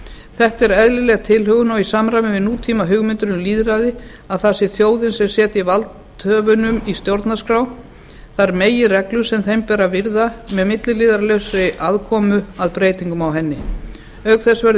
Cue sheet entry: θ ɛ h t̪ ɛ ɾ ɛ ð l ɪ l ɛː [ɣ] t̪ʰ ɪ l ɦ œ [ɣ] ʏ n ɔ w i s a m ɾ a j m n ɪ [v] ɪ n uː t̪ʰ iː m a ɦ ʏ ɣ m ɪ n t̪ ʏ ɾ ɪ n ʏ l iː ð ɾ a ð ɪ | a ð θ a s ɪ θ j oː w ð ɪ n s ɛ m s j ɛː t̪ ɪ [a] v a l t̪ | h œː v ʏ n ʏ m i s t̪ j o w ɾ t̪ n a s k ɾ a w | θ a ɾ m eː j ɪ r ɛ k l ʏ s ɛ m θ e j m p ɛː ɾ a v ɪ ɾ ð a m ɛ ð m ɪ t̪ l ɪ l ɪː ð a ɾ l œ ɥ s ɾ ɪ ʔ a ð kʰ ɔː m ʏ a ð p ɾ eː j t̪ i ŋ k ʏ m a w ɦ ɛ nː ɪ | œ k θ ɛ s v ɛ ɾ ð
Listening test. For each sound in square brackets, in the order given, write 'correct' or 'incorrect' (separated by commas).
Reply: correct, correct, correct, incorrect